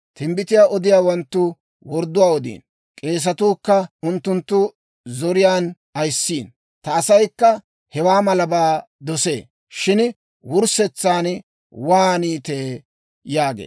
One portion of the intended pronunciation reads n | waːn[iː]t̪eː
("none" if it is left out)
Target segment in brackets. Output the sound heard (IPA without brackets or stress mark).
iː